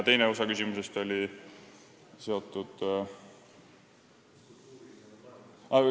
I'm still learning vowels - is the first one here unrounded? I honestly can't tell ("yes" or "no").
yes